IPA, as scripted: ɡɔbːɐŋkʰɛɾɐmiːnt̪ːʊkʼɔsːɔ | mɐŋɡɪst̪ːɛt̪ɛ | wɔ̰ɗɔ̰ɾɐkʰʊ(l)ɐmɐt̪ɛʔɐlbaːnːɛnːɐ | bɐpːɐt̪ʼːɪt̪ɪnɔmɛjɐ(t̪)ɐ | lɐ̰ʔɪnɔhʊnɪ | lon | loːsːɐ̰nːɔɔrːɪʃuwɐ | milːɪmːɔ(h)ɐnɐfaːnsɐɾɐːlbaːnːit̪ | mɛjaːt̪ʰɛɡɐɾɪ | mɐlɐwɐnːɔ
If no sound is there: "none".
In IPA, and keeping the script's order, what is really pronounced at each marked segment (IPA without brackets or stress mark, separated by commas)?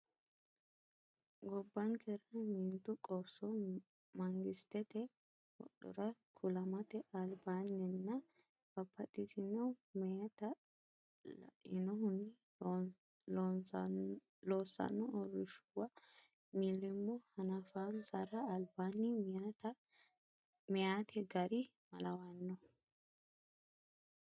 l, t̪, h